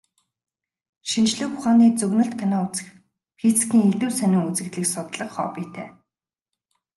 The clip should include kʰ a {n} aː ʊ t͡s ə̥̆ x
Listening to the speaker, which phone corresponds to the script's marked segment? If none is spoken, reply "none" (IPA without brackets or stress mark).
n